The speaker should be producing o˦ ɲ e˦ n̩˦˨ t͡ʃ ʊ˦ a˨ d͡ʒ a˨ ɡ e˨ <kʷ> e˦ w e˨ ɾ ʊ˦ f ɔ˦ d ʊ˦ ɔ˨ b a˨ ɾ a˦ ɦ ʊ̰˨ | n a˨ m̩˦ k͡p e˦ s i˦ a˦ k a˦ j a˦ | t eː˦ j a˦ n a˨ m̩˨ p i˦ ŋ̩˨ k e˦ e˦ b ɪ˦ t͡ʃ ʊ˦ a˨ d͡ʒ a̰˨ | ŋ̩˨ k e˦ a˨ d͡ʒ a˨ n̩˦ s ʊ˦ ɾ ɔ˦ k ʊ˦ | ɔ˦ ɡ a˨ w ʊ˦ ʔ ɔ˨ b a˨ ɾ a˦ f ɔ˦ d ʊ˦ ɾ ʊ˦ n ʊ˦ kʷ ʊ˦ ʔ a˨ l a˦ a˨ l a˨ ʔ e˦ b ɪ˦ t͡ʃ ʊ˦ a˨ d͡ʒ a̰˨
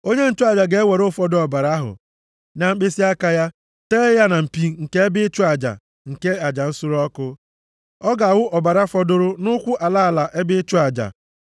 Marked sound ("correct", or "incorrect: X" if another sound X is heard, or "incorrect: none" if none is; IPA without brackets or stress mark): incorrect: none